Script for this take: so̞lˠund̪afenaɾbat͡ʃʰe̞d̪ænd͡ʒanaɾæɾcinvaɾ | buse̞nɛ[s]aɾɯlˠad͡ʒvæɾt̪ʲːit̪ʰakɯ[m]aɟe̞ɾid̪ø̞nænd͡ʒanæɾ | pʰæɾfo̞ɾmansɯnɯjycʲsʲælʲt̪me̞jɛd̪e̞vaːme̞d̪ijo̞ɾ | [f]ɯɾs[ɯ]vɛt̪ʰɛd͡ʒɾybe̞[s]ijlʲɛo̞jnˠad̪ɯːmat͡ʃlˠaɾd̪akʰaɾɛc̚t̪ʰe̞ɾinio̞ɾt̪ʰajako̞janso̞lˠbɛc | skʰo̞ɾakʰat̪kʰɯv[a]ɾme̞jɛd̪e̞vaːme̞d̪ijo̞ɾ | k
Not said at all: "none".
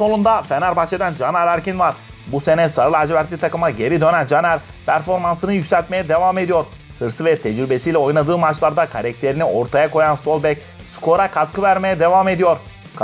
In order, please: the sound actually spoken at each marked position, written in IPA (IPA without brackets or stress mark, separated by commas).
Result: s, m, h, ɯ, s, æ